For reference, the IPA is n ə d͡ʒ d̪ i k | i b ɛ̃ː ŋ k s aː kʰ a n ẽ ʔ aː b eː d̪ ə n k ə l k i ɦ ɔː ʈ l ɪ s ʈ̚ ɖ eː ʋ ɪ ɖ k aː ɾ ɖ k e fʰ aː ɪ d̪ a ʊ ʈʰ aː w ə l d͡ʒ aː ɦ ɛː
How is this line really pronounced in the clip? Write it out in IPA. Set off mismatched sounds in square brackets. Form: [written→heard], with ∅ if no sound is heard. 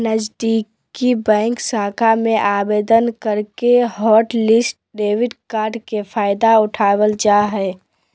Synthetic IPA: n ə d͡ʒ d̪ i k | i b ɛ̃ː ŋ k s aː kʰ a [n→m] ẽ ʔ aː b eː d̪ ə n k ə [l→ɾ] k [i→e] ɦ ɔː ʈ l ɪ s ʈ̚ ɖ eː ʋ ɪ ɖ k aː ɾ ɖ k e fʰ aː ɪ d̪ a ʊ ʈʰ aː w ə l d͡ʒ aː ɦ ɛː